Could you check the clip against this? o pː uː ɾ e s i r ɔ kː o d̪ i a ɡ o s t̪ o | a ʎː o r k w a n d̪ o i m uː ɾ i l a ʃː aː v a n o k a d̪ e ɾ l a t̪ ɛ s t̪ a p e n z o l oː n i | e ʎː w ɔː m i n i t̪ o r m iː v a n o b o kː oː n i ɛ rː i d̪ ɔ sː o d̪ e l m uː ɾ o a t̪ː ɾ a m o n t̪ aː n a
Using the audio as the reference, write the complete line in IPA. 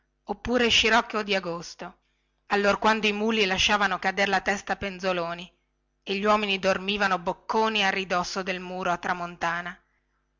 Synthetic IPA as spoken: o pː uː ɾ e ʃ i ɾ ɔ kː o d̪ i a ɡ o s t̪ o | a lː o r k w a n d̪ o i m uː l i l a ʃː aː v a n o k a d̪ e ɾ l a t̪ ɛ s t̪ a p e n z o l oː n i | e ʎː w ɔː m i n i d̪ o r m iː v a n o b o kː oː n i a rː i d̪ ɔ sː o d̪ e l m uː ɾ o a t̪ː ɾ a m o n t̪ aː n a